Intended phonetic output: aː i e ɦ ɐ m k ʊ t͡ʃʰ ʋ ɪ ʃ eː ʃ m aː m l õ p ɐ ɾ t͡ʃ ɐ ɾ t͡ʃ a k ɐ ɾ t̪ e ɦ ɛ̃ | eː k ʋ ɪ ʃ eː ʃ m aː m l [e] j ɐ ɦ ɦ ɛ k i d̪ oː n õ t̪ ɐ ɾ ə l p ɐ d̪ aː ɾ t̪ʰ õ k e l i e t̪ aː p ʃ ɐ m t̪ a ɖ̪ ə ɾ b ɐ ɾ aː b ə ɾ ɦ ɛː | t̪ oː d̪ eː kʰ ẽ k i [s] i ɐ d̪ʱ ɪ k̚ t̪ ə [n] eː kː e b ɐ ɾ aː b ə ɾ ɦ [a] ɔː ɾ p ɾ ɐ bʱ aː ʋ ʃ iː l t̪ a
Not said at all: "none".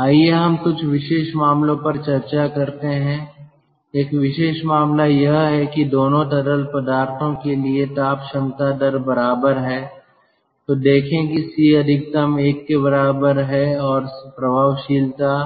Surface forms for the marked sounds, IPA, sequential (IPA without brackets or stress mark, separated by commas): a, s, m, ɛ